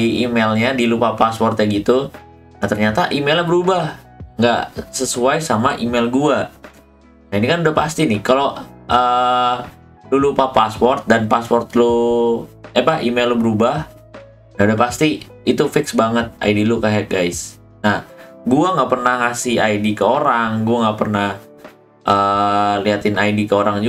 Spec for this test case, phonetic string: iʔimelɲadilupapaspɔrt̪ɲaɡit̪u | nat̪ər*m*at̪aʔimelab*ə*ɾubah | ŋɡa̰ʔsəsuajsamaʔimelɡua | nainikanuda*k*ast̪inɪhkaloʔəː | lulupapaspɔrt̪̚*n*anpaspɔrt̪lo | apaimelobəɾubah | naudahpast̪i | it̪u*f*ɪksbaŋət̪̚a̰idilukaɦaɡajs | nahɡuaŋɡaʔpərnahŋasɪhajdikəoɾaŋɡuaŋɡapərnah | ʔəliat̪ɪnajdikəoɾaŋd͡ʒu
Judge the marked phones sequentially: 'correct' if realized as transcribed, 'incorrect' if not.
incorrect, correct, incorrect, incorrect, correct

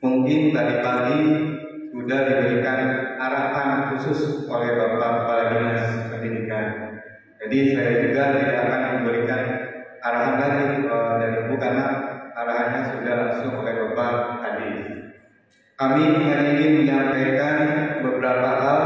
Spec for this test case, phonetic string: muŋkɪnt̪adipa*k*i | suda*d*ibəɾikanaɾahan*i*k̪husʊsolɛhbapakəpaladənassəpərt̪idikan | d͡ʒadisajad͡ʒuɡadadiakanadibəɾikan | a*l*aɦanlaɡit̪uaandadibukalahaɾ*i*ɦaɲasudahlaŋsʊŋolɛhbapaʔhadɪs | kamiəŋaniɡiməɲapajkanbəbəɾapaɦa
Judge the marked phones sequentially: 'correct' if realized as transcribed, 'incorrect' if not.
incorrect, correct, incorrect, incorrect, incorrect

